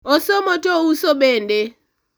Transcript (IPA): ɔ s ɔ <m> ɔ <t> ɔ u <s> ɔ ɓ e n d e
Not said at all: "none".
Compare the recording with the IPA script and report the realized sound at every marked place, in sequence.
m, t, s

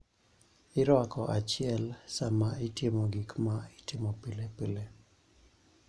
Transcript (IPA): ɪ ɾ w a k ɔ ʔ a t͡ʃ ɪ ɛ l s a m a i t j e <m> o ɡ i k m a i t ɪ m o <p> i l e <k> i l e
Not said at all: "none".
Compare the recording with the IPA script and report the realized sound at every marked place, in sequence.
m, p, p

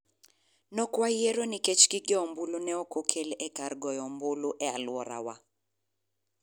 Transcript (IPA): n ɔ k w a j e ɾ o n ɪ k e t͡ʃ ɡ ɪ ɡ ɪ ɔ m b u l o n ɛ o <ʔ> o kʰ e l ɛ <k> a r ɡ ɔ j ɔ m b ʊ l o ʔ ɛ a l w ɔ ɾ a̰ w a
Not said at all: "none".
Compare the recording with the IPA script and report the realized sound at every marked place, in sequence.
k, k

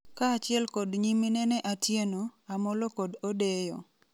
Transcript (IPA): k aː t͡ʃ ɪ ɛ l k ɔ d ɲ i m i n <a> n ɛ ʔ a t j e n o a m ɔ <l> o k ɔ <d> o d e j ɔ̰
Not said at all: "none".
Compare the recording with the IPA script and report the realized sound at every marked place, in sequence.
ɛ, l, d

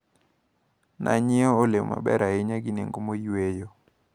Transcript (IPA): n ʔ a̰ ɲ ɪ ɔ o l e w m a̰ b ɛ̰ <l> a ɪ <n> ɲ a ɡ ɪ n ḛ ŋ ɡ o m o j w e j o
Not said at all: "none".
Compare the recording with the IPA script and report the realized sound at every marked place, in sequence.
ɾ, none

